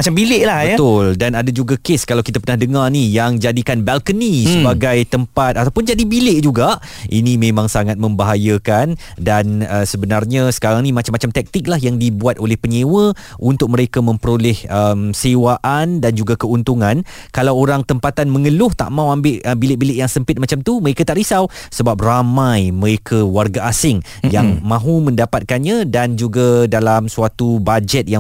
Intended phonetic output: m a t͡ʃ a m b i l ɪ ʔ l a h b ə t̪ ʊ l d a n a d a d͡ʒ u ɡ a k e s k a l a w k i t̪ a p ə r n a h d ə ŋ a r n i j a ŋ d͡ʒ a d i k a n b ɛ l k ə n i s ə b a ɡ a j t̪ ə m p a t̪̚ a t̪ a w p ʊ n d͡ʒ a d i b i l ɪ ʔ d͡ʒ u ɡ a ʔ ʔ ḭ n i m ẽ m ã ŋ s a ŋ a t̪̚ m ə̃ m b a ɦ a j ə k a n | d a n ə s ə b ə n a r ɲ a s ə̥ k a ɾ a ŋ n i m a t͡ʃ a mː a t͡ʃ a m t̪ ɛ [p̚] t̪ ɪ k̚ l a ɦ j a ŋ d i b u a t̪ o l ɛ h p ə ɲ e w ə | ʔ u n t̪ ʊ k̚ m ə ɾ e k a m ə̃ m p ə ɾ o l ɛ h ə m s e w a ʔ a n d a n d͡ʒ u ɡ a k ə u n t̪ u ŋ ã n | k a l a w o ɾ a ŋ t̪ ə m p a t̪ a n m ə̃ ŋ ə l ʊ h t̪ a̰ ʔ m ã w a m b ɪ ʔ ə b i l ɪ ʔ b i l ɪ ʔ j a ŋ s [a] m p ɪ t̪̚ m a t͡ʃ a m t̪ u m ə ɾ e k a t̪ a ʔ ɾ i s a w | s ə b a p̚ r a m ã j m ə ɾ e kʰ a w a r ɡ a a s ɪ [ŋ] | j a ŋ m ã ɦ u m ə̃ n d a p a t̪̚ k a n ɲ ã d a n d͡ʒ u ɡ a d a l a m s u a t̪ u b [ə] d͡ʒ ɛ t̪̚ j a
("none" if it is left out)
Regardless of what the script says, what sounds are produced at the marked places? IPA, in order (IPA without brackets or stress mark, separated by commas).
k̚, ə, ŋ, a